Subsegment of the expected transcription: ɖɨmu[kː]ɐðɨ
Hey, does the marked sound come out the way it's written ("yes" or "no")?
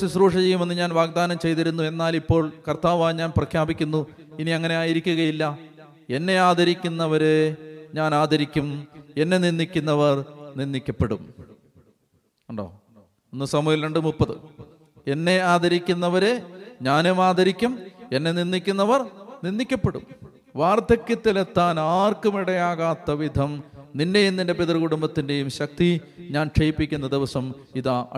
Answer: no